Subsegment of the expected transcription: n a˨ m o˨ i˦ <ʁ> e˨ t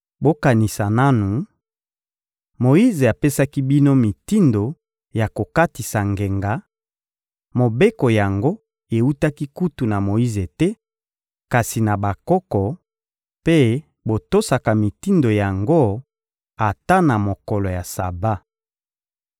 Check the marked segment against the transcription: incorrect: z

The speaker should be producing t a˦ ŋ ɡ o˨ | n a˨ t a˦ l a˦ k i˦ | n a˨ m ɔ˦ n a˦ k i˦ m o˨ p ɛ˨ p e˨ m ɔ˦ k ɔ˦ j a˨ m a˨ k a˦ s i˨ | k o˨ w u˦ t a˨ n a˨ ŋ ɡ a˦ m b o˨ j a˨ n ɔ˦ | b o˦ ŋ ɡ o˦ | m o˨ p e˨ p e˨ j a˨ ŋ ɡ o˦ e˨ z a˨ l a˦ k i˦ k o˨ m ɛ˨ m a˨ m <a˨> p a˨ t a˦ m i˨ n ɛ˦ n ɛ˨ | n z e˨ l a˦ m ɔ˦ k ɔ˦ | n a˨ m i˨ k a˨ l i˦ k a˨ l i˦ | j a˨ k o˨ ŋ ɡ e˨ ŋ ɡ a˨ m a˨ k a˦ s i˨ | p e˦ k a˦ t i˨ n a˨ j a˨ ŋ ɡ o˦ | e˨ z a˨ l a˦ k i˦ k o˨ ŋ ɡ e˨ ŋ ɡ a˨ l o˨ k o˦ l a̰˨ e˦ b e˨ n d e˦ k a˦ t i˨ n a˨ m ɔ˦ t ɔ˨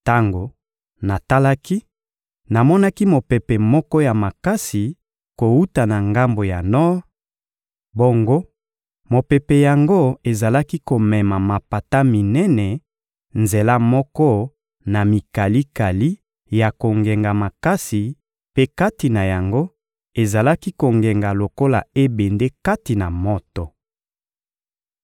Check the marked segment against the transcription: correct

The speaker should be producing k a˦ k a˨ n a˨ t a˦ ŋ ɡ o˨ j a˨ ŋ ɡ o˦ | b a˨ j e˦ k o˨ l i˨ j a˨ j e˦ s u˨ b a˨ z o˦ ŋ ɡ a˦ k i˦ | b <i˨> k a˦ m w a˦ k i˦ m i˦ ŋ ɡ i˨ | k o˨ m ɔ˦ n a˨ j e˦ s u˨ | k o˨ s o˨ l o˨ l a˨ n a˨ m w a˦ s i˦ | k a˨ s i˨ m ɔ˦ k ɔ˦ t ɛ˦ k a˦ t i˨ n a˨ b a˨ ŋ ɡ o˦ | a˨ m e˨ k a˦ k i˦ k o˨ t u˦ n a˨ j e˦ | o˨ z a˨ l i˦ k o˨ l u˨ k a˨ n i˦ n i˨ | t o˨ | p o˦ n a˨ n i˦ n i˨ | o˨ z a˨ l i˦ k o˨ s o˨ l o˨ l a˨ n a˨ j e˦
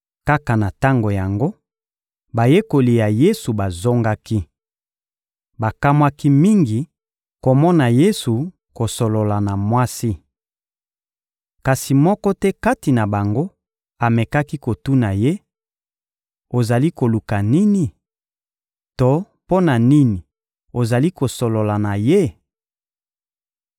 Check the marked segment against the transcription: incorrect: a˨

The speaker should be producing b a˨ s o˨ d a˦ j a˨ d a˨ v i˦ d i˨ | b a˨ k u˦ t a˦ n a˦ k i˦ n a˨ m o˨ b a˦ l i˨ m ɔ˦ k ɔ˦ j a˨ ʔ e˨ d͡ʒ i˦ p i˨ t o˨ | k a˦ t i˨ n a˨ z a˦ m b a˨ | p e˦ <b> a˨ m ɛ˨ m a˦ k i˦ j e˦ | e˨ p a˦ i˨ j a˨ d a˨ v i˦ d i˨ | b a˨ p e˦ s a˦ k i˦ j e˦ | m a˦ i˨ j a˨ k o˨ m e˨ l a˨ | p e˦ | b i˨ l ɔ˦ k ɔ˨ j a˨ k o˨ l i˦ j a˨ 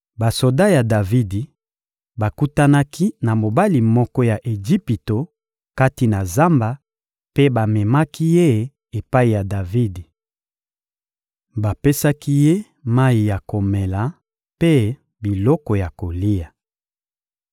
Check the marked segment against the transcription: correct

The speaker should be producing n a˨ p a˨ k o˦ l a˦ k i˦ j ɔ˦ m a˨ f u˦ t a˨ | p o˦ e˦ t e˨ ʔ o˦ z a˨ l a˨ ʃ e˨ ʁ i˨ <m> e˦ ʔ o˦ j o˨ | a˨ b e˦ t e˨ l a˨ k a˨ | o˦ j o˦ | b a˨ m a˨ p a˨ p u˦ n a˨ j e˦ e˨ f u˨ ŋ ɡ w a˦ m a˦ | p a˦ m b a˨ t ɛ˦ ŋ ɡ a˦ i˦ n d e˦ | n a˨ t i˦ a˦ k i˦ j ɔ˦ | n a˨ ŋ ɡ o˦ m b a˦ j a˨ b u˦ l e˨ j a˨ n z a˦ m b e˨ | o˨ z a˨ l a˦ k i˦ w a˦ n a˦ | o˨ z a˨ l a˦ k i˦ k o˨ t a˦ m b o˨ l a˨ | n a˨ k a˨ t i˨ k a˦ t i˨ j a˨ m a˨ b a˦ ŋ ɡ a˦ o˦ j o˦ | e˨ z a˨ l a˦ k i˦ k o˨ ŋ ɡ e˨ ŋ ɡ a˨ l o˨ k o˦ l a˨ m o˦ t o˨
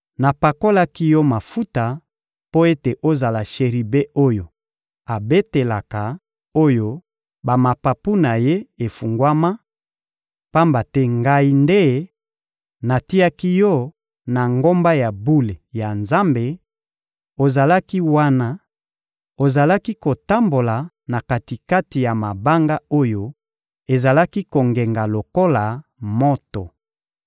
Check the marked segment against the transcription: incorrect: b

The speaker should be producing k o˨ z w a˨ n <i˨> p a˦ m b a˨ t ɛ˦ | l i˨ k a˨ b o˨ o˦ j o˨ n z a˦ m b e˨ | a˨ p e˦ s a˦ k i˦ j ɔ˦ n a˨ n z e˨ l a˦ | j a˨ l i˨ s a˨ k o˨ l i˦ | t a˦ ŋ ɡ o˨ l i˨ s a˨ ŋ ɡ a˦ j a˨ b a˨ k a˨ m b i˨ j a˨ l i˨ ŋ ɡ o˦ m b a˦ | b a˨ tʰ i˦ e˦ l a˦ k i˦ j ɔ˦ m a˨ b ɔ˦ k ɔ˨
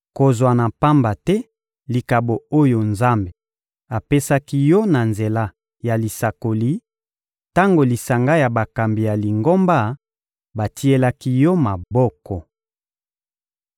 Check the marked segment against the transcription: incorrect: a˨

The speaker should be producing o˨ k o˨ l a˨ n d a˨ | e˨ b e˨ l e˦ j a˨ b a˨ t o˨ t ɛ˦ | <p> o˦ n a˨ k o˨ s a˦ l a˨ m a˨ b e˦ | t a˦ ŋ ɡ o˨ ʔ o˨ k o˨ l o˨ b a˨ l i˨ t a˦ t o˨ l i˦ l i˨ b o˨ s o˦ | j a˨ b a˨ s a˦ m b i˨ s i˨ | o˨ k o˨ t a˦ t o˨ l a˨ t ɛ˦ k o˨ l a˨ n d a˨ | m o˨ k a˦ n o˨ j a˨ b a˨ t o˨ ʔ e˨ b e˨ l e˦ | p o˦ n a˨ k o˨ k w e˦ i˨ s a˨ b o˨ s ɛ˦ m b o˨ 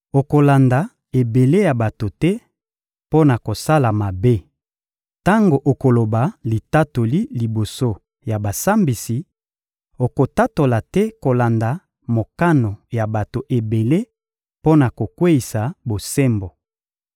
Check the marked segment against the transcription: correct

